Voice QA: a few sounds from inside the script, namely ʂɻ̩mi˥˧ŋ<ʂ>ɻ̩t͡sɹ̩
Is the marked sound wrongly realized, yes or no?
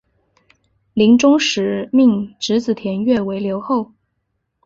yes